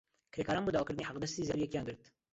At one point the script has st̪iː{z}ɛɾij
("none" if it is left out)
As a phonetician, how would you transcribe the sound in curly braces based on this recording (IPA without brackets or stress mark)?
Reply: z